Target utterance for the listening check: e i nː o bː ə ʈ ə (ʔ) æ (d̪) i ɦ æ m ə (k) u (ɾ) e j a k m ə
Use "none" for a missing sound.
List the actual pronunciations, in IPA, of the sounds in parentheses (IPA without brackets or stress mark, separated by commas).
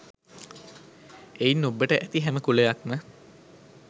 ʔ, t̪, k, l